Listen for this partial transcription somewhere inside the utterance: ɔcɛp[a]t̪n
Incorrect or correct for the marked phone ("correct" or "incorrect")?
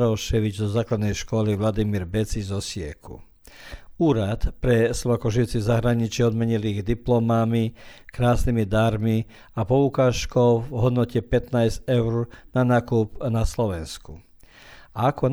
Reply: incorrect